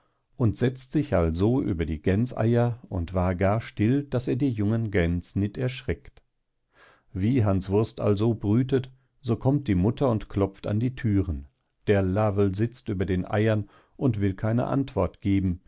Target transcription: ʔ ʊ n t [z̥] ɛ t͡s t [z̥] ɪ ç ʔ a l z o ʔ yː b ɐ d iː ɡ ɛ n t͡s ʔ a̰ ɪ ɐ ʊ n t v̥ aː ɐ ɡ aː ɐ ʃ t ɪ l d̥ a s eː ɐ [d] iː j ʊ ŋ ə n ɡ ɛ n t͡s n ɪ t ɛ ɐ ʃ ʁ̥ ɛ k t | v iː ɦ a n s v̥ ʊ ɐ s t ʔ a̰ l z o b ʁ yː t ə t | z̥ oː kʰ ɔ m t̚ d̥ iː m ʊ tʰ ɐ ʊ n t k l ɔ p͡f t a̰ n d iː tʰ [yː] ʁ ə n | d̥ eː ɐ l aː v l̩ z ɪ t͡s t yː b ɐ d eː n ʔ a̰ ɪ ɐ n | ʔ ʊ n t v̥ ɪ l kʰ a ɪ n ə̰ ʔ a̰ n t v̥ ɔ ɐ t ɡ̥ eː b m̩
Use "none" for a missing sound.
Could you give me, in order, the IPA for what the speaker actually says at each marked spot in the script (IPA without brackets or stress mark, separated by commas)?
z̥, z̥, d, yː